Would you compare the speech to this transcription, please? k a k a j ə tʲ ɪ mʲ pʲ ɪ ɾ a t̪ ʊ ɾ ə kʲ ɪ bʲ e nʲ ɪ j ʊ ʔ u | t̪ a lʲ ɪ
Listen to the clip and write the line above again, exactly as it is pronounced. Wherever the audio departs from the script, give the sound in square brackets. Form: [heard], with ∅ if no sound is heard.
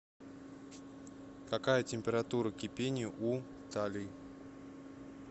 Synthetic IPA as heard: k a k a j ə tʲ ɪ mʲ pʲ ɪ ɾ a t̪ [u] ɾ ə kʲ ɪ [pʲ] e nʲ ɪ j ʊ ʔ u | t̪ a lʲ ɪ